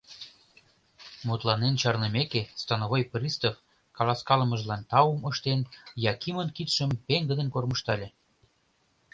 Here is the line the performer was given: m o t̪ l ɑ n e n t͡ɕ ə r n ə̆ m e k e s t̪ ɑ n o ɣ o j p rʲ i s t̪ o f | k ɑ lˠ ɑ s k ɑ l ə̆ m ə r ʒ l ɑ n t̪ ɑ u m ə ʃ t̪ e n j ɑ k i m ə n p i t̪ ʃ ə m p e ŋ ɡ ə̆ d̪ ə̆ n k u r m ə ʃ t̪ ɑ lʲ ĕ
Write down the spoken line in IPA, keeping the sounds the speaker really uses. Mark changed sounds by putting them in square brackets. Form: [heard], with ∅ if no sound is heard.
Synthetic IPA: m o t̪ l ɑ n e n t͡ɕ [ɑ] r n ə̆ m e k e s t̪ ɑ n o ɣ o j p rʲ i s t̪ o f | k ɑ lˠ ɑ s k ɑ l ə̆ m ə [∅] ʒ l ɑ n t̪ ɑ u m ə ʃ t̪ e n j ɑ k i m ə n [k] i t̪ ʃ ə m p e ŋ ɡ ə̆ d̪ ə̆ n k [o] r m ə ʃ t̪ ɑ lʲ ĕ